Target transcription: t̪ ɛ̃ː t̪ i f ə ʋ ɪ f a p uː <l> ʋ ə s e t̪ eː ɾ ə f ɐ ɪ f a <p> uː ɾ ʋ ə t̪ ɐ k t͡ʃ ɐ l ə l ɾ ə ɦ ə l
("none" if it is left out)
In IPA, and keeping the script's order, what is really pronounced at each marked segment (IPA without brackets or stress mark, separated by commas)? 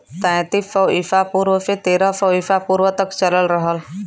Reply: ɾ, p